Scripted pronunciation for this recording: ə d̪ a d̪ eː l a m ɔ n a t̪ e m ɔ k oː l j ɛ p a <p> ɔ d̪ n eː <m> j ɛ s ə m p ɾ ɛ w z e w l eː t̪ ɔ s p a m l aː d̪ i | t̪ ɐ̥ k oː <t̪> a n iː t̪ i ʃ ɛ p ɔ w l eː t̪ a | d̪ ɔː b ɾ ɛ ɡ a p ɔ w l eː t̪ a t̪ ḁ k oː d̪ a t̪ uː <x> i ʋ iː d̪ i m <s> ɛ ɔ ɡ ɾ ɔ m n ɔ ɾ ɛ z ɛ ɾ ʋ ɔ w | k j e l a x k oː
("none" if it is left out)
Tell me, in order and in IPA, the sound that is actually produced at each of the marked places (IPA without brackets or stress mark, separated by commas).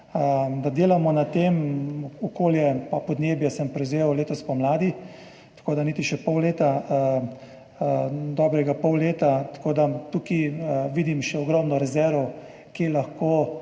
p, b, d̪, k, ʃ